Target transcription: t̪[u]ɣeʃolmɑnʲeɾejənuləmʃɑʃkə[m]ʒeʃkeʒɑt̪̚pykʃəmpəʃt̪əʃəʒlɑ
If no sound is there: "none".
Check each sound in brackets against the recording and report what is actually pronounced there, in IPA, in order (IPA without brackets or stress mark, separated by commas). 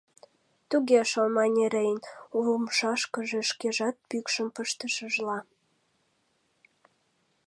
u, none